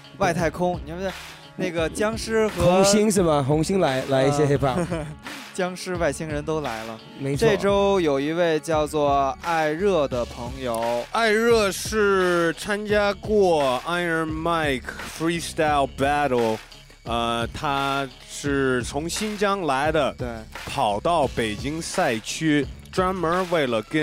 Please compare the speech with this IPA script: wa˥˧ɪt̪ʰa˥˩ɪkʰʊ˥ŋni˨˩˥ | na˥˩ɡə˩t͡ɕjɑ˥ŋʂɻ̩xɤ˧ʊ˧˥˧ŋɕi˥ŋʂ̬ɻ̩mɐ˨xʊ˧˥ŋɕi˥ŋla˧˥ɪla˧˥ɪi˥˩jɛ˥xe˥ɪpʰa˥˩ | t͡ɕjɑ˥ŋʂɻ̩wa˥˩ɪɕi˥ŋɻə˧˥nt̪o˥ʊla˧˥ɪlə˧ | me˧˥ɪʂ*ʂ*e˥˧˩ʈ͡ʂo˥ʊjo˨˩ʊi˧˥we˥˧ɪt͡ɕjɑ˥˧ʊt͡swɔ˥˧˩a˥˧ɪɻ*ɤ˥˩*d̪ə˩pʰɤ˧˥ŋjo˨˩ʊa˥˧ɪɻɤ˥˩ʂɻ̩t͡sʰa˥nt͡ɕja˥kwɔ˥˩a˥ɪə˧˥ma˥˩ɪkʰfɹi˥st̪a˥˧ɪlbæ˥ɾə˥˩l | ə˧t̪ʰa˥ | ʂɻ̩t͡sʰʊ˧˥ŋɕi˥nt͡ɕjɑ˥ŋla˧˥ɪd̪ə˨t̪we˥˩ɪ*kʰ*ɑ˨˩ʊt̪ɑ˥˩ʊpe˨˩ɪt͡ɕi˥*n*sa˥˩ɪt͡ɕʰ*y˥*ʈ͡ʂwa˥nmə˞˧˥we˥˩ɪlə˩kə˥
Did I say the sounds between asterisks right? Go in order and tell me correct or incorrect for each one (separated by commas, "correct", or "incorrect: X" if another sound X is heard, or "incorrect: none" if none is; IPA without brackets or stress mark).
incorrect: ʈ͡ʂ, correct, incorrect: pʰ, incorrect: ŋ, correct